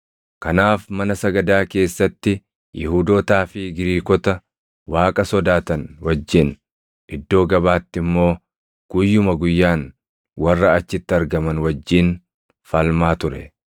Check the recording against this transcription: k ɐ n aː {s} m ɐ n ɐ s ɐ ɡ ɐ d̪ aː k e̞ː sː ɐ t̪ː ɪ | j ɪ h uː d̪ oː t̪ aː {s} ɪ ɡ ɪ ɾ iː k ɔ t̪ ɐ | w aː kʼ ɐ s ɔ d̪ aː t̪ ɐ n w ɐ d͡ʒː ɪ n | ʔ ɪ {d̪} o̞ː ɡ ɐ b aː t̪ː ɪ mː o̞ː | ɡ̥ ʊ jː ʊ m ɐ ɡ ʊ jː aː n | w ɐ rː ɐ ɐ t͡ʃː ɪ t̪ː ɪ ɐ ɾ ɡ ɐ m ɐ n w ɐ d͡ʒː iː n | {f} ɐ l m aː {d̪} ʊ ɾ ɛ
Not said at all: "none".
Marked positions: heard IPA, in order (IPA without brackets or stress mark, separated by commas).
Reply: f, f, d̪ː, f, t̪